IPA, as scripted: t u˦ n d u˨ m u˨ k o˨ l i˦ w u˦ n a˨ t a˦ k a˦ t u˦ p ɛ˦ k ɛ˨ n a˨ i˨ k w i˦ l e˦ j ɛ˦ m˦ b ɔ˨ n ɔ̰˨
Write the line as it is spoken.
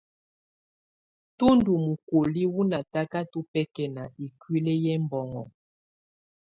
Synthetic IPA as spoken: t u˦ n d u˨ m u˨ k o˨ l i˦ w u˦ n a˨ t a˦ k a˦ t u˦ p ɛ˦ k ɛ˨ n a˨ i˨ k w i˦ l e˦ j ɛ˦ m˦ b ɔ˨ ŋ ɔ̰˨